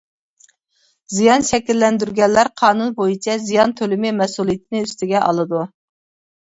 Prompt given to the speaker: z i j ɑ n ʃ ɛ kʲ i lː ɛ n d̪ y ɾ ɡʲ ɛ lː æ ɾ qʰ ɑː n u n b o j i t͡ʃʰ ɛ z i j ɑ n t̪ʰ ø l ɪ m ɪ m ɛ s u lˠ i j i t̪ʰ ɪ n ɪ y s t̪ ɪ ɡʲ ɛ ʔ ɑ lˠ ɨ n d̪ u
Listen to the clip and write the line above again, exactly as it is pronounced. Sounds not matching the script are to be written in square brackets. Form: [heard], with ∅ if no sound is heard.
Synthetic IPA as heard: z i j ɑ n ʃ ɛ kʲ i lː ɛ n d̪ y ɾ ɡʲ ɛ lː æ ɾ qʰ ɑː n u n b o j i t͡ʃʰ ɛ z i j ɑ n t̪ʰ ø l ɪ m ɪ m ɛ s u lˠ i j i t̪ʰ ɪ n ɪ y s t̪ ɪ ɡʲ ɛ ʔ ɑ lˠ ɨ [∅] d̪ u